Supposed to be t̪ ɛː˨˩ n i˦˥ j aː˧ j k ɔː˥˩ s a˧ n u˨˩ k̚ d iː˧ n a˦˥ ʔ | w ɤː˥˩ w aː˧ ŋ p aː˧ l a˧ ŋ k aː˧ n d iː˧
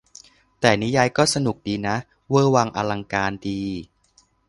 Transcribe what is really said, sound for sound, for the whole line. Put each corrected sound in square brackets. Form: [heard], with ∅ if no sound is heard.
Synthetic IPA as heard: t̪ ɛː˨˩ n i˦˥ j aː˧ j k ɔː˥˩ s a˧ n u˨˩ k̚ d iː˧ n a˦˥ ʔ | w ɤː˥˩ w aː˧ ŋ [ʔ] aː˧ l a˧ ŋ k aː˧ n d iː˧